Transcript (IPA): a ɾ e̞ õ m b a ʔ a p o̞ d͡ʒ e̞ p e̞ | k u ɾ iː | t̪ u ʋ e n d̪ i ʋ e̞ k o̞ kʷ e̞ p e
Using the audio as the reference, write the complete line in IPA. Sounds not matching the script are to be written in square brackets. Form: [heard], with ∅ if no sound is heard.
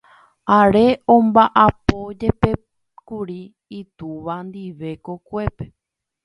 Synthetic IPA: a ɾ e̞ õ m b a ʔ a p o̞ d͡ʒ e̞ p e̞ | k u ɾ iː | t̪ u ʋ [a] n d̪ i ʋ e̞ k o̞ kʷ e̞ p e